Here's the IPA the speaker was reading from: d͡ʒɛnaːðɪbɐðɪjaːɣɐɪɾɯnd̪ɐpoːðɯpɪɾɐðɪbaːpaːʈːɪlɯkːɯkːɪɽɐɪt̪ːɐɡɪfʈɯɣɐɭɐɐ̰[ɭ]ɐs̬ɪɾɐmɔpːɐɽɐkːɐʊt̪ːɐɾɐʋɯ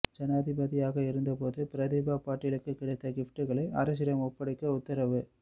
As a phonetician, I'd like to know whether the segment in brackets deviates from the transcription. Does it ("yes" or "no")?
yes